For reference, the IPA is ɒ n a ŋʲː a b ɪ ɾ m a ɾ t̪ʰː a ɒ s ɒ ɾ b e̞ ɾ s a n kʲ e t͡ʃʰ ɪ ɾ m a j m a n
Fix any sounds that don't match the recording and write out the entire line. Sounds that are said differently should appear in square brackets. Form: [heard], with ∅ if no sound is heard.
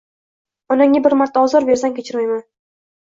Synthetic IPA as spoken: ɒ n a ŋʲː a b ɪ ɾ m a ɾ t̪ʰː a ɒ [z] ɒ ɾ b e̞ ɾ s a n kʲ e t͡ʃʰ ɪ ɾ m a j m a n